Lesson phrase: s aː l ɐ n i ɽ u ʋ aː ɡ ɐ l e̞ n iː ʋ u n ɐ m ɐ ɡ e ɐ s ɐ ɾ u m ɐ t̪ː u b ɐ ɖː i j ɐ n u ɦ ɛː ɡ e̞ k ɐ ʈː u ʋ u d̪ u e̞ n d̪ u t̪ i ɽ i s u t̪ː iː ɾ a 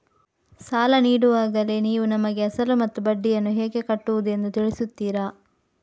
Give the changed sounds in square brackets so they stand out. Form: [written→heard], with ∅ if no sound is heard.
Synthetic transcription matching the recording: s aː l ɐ n [i→iː] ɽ u ʋ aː ɡ ɐ l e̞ n iː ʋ u n ɐ m ɐ ɡ e ɐ s ɐ [ɾ→l] u m ɐ t̪ː u b ɐ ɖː i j ɐ [n→nː] u ɦ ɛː ɡ e̞ k ɐ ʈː u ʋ u d̪ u e̞ n d̪ u t̪ i [ɽ→ɭ] i s u t̪ː iː ɾ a